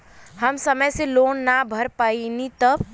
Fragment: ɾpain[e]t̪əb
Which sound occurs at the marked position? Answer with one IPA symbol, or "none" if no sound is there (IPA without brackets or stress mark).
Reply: i